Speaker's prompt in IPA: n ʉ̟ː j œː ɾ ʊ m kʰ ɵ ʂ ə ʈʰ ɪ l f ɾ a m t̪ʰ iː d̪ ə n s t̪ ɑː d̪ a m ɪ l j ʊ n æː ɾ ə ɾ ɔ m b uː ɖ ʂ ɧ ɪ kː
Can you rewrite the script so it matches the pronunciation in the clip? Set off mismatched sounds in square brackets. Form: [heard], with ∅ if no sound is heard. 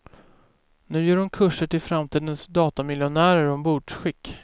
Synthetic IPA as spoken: n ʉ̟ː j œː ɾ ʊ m kʰ ɵ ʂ ə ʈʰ ɪ l f ɾ a m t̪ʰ iː d̪ ə n s [d̪] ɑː [t̪] a m ɪ l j ʊ n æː ɾ ə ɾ ɔ m b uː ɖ ʂ ɧ ɪ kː

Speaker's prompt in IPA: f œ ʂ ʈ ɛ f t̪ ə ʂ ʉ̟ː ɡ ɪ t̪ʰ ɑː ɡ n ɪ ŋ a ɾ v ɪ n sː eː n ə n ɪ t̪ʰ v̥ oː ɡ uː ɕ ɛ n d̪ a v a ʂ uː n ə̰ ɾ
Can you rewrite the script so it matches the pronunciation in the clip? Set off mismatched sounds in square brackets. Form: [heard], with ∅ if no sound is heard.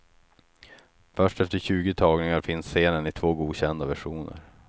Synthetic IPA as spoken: f œ ʂ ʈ ɛ f t̪ ə [ɕ] ʉ̟ː ɡ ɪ t̪ʰ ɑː ɡ n ɪ ŋ a ɾ [f] ɪ n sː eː n ə n ɪ t̪ʰ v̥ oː ɡ uː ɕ ɛ n d̪ a v [æ] ʂ uː n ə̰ ɾ

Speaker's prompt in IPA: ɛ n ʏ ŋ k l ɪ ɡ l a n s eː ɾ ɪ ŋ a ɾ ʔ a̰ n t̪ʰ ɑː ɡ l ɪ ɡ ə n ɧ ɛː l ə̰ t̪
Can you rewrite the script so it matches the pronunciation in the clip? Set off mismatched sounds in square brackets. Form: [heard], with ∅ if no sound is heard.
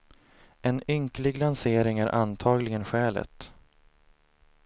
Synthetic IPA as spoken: ɛ n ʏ ŋ k l ɪ ɡ l a n s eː ɾ ɪ ŋ [æ] ɾ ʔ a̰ n t̪ʰ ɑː ɡ l ɪ ɡ ə n ɧ ɛː l ə̰ t̪

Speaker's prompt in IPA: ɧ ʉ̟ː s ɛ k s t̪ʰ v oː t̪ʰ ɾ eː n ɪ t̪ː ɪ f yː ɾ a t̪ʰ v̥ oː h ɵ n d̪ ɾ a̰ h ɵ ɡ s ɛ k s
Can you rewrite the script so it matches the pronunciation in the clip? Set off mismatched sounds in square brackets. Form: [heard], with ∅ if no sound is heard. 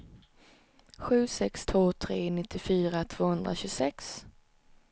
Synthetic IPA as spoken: ɧ ʉ̟ː s ɛ k s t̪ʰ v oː t̪ʰ ɾ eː n ɪ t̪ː ɪ f yː ɾ a t̪ʰ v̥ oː h ɵ n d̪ ɾ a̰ [ɕ] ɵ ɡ s ɛ k s

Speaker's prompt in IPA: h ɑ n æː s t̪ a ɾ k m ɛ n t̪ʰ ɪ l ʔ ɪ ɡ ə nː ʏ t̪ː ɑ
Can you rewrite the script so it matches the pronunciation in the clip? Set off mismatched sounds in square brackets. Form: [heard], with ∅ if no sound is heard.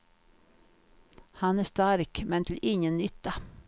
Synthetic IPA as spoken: h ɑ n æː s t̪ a ɾ k m ɛ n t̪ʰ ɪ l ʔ ɪ [ŋ] ə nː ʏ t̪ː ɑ

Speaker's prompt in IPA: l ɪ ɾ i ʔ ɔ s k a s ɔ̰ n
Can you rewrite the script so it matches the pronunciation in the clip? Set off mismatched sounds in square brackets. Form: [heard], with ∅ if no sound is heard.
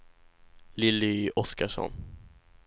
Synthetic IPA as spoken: l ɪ [l] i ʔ ɔ s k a [ʂ] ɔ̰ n

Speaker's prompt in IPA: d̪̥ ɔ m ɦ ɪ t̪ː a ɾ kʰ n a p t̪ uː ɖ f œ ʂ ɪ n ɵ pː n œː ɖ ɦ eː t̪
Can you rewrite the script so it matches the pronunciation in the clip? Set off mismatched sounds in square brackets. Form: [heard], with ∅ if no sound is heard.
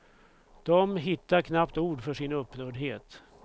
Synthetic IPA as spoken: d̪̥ ɔ m ɦ ɪ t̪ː a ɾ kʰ n a p t̪ uː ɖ f œ ʂ ɪ n ɵ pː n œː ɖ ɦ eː t̪

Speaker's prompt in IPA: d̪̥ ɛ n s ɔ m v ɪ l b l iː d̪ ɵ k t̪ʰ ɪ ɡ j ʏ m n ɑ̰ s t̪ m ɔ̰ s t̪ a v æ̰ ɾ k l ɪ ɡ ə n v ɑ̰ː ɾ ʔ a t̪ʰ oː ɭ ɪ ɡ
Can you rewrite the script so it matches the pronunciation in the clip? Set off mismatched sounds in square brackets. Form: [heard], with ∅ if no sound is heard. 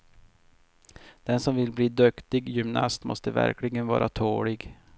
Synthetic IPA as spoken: d̪̥ ɛ n s ɔ m v ɪ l b l iː d̪ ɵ k [t̪] ɪ ɡ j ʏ m n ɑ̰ s t̪ m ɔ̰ s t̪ [ə] v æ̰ ɾ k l ɪ ɡ ə n v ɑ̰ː ɾ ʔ a t̪ʰ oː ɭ ɪ ɡ

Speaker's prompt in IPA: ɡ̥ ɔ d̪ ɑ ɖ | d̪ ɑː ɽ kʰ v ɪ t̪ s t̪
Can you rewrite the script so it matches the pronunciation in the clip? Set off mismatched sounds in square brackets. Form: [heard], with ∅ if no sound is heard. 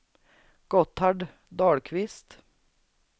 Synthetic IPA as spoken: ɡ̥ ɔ [t̪] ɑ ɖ | d̪ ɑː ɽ kʰ [ʋ] ɪ [∅] s t̪

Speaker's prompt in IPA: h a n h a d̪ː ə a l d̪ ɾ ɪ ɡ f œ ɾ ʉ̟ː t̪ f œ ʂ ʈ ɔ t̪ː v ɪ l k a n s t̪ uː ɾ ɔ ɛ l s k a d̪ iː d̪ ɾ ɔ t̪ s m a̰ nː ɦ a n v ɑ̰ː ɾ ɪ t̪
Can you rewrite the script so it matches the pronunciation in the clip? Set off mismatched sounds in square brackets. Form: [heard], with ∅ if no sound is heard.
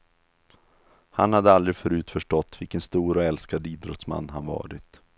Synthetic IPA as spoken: h a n h a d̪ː ə a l d̪ ɾ ɪ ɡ f œ ɾ ʉ̟ː t̪ f œ ʂ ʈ ɔ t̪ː v ɪ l k [ə] n s t̪ uː ɾ ɔ ɛ l s k a d̪ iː d̪ ɾ ɔ t̪ s m a̰ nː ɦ a n v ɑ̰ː ɾ ɪ t̪

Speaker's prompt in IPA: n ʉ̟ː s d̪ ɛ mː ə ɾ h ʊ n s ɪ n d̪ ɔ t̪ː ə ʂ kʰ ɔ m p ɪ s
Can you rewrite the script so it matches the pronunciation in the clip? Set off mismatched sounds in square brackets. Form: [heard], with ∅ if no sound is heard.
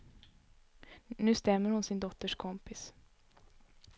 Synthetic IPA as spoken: n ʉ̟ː s [t̪] ɛ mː ə ɾ h ʊ n s ɪ n d̪ ɔ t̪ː ə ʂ kʰ ɔ m p ɪ s

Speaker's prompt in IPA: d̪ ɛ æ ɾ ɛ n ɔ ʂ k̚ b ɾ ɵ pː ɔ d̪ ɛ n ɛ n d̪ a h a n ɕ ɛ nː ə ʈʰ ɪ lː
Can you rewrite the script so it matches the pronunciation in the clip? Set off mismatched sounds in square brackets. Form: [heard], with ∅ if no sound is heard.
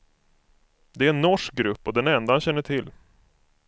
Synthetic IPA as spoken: d̪ ɛ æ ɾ ɛ [nː] ɔ ʂ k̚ [ɡ] ɾ ɵ pː ɔ d̪ ɛ n ɛ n d̪ a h a n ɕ ɛ nː ə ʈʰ ɪ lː

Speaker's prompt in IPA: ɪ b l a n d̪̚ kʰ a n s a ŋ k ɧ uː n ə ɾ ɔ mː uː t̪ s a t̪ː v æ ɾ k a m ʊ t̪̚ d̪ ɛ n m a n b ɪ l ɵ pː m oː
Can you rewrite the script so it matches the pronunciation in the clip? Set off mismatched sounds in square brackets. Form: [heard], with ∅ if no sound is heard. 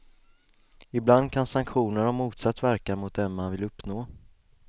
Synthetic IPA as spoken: ɪ b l a n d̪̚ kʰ a n s a ŋ k ɧ uː n ə ɾ ɔ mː uː t̪ s a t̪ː v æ ɾ k a m ʊ t̪̚ d̪ ɛ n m a n [v] ɪ l ɵ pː [n] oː

